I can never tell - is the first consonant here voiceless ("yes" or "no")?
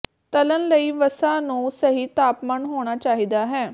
yes